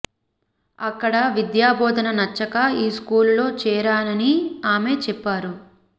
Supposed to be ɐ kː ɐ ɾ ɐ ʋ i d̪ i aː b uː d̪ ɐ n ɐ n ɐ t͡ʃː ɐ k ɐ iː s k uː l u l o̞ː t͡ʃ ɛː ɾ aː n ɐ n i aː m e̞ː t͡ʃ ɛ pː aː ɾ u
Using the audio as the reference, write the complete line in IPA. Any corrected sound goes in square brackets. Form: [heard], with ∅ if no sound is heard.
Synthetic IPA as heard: ɐ kː ɐ [ɽ] ɐ ʋ i d̪ [j] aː b [ɔː] d̪ ɐ n ɐ n ɐ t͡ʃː ɐ k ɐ iː s k uː l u l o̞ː t͡ʃ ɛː ɾ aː n ɐ n i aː m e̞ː t͡ʃ ɛ pː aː ɾ u